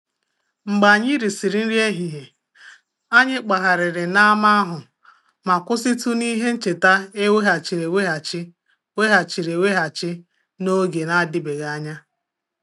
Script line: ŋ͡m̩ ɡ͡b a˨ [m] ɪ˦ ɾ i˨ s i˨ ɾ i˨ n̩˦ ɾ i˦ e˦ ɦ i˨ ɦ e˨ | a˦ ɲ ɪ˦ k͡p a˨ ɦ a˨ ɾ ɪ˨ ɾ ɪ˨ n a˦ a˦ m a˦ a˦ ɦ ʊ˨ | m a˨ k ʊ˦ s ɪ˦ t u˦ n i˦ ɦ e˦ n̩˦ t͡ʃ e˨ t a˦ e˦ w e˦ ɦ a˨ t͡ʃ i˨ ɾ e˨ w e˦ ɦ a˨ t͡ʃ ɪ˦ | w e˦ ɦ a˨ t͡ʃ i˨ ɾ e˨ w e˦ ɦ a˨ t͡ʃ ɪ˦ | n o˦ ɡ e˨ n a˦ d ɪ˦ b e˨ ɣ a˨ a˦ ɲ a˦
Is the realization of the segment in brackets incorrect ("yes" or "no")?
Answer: yes